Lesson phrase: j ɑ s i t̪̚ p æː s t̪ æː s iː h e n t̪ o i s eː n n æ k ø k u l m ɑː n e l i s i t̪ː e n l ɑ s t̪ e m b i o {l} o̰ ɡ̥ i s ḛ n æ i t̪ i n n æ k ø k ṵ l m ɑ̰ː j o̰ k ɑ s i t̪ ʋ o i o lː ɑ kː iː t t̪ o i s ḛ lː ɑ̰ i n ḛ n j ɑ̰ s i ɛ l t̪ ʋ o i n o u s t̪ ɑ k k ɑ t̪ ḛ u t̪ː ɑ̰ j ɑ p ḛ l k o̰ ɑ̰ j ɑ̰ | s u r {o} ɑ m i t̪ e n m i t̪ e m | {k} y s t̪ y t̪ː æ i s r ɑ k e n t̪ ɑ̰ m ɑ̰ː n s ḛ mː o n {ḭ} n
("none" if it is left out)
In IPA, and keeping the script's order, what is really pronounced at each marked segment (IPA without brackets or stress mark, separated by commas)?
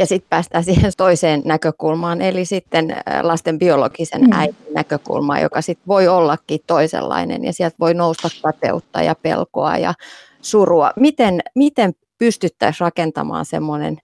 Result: l, u, p, ḛ